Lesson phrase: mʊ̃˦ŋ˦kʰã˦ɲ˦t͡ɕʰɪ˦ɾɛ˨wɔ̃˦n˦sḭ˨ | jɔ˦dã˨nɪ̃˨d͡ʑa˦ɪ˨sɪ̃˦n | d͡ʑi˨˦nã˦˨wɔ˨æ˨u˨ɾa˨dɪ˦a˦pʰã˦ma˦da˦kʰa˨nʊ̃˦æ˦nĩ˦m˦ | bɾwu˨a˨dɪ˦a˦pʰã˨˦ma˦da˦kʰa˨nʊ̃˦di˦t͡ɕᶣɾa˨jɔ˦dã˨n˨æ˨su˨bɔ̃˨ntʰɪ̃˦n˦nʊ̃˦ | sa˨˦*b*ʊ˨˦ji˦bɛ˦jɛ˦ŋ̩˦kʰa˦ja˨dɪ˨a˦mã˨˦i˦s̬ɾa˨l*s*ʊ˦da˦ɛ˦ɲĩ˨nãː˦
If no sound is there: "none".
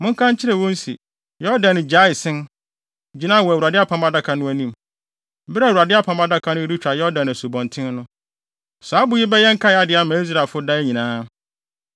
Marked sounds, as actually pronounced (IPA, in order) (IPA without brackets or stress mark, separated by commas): b, f